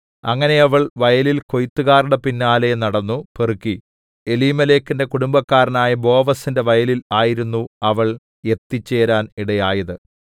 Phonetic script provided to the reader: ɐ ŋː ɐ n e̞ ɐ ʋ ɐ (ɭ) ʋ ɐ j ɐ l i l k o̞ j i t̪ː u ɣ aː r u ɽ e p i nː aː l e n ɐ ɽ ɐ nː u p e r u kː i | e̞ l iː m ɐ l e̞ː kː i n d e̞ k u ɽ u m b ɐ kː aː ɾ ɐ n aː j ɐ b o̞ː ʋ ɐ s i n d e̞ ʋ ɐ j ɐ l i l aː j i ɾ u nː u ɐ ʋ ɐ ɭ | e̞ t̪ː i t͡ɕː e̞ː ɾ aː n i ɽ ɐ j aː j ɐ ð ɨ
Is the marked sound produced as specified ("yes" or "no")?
yes